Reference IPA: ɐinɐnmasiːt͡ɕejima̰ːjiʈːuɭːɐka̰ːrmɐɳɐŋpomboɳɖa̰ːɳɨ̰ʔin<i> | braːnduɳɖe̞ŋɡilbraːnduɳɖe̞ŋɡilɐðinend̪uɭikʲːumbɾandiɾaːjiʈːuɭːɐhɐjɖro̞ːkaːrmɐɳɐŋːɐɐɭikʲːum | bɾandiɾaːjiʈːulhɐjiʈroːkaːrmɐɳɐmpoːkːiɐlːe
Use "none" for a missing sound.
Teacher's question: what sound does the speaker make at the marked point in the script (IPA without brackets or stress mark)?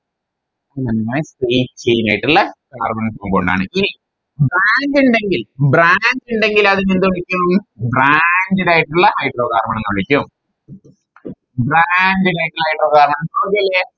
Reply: i